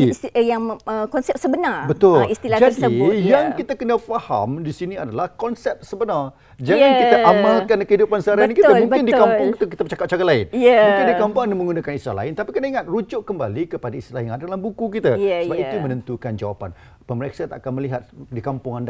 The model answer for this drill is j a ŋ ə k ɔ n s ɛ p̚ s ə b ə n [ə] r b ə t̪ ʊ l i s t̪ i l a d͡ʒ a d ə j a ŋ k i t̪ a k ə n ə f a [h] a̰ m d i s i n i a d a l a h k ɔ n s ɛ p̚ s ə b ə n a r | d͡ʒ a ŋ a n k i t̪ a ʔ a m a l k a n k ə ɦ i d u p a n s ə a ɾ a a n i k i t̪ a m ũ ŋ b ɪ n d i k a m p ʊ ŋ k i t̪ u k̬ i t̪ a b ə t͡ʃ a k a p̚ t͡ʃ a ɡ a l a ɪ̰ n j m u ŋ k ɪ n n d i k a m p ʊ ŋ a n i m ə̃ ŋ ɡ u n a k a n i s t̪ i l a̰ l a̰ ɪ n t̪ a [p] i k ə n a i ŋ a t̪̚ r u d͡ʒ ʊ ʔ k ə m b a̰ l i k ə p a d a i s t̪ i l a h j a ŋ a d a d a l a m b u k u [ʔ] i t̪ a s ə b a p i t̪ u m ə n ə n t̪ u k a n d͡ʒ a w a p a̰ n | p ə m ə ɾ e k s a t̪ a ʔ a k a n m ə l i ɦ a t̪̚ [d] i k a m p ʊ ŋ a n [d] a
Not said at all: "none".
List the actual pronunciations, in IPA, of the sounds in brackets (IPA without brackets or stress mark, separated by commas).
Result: a, h, p, k, d, d